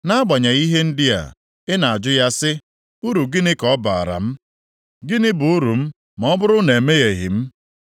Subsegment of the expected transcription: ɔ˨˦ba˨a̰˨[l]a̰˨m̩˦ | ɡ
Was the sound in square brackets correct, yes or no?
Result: no